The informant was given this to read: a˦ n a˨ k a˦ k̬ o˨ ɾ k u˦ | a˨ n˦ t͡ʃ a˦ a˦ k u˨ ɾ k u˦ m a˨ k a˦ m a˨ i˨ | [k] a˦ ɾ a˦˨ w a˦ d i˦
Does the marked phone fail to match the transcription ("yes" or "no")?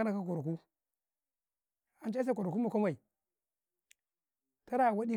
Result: yes